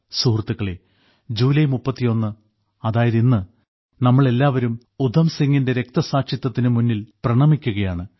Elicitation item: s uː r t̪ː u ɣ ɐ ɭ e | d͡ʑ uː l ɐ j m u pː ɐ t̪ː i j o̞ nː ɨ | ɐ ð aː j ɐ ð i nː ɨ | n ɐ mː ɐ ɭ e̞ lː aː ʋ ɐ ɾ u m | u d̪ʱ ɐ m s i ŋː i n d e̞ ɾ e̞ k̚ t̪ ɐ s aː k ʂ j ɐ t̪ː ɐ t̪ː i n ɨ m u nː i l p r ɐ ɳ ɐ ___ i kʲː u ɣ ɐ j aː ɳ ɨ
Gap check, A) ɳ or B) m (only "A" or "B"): B